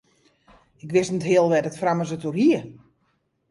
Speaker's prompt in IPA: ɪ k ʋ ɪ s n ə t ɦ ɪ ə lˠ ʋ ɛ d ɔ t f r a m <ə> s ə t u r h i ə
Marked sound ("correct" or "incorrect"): correct